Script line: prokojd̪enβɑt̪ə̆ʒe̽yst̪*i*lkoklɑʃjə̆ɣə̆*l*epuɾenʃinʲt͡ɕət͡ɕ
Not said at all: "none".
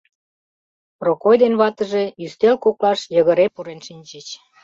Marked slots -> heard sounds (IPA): e, ɾ

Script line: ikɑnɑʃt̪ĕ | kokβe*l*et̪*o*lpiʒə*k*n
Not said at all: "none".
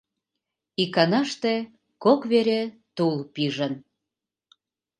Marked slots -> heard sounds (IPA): ɾ, u, none

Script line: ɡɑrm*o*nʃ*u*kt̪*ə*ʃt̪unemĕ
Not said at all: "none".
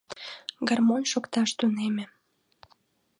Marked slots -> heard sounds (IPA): o, o, ɑ

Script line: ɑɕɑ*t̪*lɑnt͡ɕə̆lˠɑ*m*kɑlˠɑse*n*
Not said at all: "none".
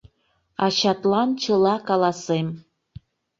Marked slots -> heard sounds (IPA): t̪, none, m

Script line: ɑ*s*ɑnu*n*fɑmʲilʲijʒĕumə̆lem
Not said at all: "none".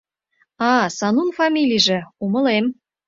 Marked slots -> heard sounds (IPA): s, n

